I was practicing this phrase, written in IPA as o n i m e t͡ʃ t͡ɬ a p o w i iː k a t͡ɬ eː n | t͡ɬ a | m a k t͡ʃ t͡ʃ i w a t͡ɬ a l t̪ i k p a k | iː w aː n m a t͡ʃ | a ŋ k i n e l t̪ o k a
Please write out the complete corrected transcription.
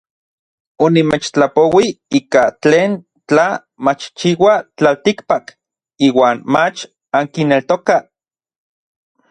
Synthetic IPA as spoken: o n i m e t͡ʃ t͡ɬ a p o w i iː k a t͡ɬ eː n | t͡ɬ a | m a t͡ʃ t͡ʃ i w a t͡ɬ a l t̪ i k p a k | iː w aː n m a t͡ʃ | a ŋ k i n e l t̪ o k a